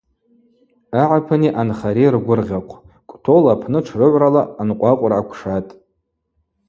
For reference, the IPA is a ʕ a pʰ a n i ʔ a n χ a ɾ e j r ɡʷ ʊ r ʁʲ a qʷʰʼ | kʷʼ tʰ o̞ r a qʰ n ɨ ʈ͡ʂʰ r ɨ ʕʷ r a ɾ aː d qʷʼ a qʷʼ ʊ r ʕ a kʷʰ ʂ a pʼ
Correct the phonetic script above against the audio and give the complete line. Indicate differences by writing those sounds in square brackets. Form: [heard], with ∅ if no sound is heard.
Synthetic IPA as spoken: a ʕ a pʰ a n i ʔ a n χ a ɾ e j r ɡʷ ʊ r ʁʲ a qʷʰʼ | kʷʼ tʰ o̞ [l] a [pʰ] n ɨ ʈ͡ʂʰ r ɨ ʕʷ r a [l] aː [n] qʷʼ a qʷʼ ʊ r ʕ a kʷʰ ʂ a [tʼ]